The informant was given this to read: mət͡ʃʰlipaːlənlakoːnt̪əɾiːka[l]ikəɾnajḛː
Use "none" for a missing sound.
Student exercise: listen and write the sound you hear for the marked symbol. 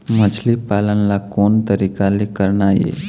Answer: l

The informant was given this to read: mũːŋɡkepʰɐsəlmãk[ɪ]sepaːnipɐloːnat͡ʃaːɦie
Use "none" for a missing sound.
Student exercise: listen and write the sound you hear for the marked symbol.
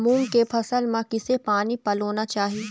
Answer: ɪ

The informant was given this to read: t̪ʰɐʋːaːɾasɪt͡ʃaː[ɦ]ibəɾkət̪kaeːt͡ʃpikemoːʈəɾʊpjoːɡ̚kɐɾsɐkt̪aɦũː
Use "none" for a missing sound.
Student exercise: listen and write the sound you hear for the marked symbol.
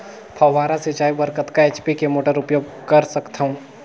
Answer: none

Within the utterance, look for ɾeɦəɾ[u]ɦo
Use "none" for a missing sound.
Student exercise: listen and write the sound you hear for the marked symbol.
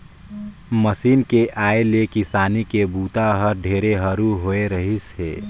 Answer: u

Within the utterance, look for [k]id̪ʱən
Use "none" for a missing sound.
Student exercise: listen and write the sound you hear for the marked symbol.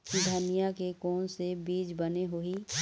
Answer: k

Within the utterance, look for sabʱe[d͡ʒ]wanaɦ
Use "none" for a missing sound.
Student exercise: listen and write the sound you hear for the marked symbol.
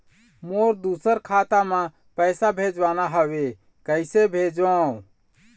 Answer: d͡ʒ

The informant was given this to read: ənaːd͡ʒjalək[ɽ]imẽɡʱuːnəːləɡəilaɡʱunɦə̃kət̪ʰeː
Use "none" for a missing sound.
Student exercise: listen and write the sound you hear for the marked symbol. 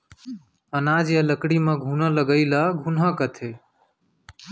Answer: ɽ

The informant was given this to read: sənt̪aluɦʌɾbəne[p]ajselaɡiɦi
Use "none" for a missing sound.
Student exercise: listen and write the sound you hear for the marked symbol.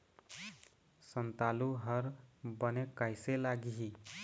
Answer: k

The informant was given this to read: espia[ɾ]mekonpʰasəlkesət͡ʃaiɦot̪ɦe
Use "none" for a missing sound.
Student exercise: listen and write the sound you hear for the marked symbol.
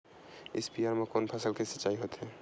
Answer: ɾ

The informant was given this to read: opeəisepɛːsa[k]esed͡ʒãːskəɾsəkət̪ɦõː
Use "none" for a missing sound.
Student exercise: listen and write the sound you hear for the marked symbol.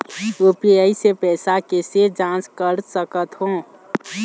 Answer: k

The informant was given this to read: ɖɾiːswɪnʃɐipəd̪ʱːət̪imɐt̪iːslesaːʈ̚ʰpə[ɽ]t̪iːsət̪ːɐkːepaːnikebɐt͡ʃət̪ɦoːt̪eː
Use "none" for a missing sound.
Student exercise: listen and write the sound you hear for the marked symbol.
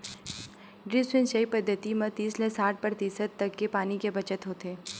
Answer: ɾ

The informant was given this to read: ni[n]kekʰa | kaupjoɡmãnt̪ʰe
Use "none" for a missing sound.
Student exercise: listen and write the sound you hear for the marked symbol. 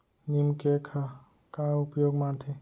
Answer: m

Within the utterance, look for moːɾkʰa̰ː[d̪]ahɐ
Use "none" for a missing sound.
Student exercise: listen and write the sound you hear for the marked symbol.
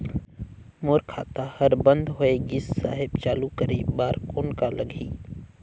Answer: t̪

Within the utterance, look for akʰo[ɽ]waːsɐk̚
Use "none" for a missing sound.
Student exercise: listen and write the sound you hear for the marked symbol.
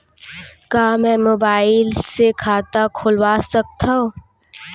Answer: l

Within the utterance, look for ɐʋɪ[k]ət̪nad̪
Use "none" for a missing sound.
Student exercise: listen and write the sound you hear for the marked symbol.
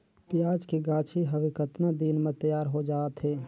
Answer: k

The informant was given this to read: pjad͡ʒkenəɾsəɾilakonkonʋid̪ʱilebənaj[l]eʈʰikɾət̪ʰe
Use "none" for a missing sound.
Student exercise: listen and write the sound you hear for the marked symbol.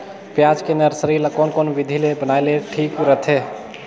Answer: l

